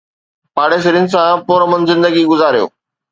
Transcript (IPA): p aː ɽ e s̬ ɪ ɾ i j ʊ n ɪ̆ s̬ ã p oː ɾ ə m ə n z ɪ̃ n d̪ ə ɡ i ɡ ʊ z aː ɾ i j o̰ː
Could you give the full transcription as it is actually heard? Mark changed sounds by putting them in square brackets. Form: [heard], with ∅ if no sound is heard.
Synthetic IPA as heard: p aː ɽ e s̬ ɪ ɾ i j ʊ n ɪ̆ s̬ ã p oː ɾ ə m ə n z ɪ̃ n d̪ ə ɡ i ɡ ʊ z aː ɾ i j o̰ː

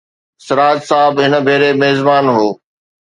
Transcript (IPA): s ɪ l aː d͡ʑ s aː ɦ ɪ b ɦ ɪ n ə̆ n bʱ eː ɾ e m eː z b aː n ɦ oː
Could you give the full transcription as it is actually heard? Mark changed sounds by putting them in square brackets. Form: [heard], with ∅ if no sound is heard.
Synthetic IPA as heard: s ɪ [ɾ] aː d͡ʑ s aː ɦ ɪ b ɦ ɪ n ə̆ [∅] bʱ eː ɾ e m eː z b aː n ɦ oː

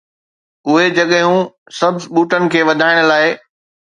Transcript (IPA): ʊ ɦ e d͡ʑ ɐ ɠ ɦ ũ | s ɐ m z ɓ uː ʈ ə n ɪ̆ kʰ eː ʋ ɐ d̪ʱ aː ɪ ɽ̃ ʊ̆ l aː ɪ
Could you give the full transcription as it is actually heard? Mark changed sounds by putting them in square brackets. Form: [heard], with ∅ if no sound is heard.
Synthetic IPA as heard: ʊ ɦ e d͡ʑ ɐ ɠ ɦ ũ | s ɐ [b] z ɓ uː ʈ ə n ɪ̆ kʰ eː ʋ ɐ d̪ʱ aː ɪ ɽ̃ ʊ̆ l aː ɪ

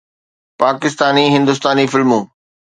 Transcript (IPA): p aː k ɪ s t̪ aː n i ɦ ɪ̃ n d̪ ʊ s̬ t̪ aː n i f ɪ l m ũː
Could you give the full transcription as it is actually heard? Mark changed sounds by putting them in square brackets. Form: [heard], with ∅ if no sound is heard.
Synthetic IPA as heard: p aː k ɪ s t̪ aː n i ɦ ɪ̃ n d̪ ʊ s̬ t̪ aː n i f ɪ l m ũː

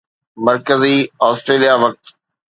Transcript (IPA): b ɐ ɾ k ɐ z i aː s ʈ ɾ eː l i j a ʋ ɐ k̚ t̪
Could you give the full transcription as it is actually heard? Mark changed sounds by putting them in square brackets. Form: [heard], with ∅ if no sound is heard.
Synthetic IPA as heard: [m] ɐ ɾ k [ə] z i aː s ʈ ɾ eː l i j a ʋ ɐ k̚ t̪

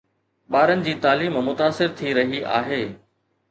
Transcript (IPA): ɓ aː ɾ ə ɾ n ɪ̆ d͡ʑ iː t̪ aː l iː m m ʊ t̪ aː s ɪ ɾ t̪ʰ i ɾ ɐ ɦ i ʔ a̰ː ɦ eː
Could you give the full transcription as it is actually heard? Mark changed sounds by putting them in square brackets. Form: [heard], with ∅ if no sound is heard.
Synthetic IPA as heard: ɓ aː ɾ ə [∅] n ɪ̆ d͡ʑ iː t̪ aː l iː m m ʊ t̪ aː s ɪ ɾ t̪ʰ i ɾ ɐ ɦ i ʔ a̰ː ɦ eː

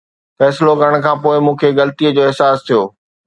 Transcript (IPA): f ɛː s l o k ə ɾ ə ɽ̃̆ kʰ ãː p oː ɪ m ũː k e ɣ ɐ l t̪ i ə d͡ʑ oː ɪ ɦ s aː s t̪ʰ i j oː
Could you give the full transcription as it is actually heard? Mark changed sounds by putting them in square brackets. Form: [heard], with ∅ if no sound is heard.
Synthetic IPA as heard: f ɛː s l o k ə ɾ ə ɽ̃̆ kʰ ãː p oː ɪ m ũː [kʰ] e ɣ ɐ l t̪ i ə d͡ʑ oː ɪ ɦ s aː s t̪ʰ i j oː

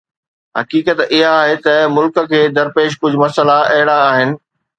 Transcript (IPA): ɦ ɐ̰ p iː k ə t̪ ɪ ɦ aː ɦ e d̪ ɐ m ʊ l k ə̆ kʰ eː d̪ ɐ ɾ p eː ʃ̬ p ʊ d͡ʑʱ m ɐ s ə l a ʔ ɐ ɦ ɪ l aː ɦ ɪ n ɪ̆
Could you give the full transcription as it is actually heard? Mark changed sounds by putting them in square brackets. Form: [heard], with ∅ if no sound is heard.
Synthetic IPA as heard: ɦ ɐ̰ [k] iː k ə t̪ ɪ ɦ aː ɦ e [t̪] ɐ m ʊ l k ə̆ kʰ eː d̪ ɐ ɾ p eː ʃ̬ [k] ʊ d͡ʑʱ m ɐ s ə l a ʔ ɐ ɦ ɪ [ɽ] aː ɦ ɪ n ɪ̆

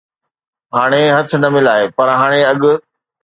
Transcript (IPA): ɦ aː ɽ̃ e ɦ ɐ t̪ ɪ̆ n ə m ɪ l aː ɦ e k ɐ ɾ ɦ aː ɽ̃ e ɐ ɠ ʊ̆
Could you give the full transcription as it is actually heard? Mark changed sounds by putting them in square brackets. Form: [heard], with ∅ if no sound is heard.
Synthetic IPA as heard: ɦ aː ɽ̃ e ɦ ɐ [t̪ʰ] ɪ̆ n [ɐ] m ɪ l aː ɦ e [p] ɐ ɾ ɦ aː ɽ̃ e ɐ ɠ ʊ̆

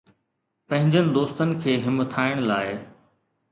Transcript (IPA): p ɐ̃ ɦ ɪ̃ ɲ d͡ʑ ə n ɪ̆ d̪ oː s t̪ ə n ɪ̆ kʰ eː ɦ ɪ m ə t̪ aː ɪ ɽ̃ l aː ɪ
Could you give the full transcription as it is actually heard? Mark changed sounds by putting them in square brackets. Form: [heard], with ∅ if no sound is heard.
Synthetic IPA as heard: p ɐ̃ ɦ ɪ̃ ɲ d͡ʑ ə n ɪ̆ d̪ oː s t̪ ə n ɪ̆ kʰ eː ɦ ɪ m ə [t̪ʰ] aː ɪ ɽ̃ l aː ɪ

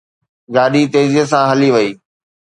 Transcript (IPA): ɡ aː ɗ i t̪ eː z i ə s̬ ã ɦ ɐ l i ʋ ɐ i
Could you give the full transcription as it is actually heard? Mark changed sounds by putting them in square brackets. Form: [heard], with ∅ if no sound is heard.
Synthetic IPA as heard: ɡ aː ɗ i t̪ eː z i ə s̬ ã ɦ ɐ l i ʋ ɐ [iː]

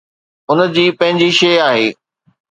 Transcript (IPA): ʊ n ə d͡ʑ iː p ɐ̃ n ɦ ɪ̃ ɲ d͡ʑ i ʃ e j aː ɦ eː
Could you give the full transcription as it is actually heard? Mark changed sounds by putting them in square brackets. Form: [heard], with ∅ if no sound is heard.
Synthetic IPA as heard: ʊ n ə d͡ʑ iː p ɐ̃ [∅] ɦ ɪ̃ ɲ d͡ʑ i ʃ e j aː ɦ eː

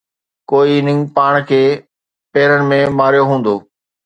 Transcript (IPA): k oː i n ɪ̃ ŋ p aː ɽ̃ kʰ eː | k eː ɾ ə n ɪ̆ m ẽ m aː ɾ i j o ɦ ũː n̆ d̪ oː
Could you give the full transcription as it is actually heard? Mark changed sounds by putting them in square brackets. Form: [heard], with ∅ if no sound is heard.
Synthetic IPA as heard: k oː i n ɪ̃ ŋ p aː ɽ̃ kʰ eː | [p] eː ɾ ə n ɪ̆ m ẽ m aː ɾ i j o ɦ ũː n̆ d̪ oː

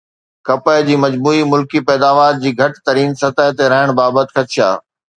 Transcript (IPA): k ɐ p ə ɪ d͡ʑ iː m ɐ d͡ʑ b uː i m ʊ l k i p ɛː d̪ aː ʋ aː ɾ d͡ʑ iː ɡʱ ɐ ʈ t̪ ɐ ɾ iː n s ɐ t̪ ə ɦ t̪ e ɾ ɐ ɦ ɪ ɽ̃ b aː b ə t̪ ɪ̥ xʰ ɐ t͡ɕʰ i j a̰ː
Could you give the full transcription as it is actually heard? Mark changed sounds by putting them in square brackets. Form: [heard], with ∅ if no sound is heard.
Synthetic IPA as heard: k ɐ p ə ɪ d͡ʑ iː m ɐ d͡ʑ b uː i m ʊ l k i p ɛː d̪ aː ʋ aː ɾ d͡ʑ iː ɡʱ ɐ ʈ t̪ ɐ ɾ iː n s ɐ t̪ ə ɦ t̪ e ɾ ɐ ɦ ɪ ɽ̃ b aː b ə t̪ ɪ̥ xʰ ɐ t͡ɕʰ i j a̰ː

